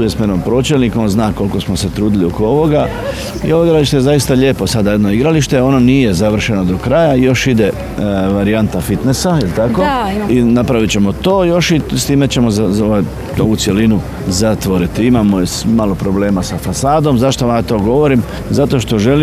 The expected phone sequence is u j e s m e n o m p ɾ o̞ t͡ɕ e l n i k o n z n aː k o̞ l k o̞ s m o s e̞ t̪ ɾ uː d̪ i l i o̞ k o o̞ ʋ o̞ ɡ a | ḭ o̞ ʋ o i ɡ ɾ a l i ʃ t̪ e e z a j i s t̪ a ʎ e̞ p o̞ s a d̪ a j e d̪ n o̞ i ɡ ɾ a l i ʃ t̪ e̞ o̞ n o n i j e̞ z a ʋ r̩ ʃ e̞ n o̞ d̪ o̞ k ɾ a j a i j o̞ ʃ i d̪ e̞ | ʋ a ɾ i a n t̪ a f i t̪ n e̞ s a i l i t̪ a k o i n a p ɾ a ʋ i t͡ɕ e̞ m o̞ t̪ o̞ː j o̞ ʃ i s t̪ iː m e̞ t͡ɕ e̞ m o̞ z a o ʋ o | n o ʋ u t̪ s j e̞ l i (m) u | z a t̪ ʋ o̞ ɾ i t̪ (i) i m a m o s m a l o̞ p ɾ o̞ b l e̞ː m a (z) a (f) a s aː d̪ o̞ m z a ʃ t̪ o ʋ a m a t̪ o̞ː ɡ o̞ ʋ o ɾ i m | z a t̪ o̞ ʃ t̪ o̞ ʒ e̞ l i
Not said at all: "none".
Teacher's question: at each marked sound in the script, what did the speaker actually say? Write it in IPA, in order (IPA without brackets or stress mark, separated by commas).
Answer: n, i, s, f